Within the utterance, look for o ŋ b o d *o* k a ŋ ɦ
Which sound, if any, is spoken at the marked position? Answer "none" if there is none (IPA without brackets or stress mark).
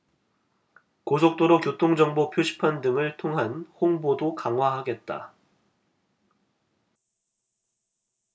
o